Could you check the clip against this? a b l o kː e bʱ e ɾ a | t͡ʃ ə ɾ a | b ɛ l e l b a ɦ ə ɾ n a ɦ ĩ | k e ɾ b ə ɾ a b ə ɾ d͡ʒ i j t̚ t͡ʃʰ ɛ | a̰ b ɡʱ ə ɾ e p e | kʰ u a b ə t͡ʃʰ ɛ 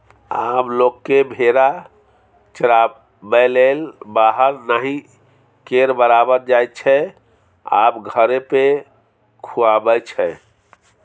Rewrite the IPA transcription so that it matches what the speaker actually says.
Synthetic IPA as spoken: a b l o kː e bʱ e ɾ a | t͡ʃ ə ɾ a | b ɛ l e l b a ɦ ə ɾ n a ɦ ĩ | k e ɾ b ə ɾ a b ə ɾ d͡ʒ a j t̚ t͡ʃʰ ɛ | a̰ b ɡʱ ə ɾ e p e | kʰ u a b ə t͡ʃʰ ɛ